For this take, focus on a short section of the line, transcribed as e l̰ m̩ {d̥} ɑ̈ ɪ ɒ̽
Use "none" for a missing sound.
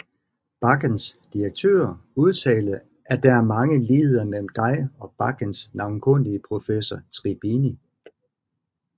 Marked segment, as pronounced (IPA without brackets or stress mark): d̥